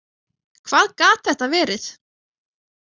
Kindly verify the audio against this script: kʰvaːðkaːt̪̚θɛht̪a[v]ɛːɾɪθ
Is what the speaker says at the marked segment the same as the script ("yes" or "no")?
yes